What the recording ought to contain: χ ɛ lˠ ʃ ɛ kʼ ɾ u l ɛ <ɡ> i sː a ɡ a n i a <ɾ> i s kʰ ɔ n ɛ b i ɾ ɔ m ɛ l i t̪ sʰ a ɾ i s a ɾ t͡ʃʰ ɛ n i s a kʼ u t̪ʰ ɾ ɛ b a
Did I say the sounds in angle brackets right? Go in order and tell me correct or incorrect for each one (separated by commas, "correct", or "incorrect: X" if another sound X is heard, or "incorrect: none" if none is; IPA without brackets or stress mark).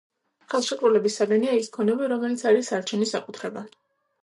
incorrect: b, incorrect: none